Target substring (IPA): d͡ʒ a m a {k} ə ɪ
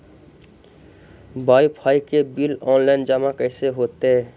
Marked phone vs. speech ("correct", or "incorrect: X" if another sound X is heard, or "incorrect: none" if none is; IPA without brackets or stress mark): correct